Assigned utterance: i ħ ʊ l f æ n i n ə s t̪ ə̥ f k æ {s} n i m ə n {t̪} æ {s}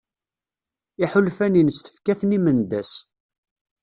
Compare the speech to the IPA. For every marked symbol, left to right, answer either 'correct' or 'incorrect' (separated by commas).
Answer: incorrect, incorrect, correct